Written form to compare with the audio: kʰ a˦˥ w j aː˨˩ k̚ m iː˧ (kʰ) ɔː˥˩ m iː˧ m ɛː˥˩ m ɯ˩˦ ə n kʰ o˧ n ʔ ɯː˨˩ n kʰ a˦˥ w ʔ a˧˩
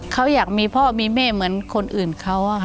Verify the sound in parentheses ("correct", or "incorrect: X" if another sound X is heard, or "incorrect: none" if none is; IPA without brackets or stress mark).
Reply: incorrect: pʰ